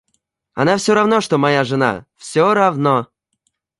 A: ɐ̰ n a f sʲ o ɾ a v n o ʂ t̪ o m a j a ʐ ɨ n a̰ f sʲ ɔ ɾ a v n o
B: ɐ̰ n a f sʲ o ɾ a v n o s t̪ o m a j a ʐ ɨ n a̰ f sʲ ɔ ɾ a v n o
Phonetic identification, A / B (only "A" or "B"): A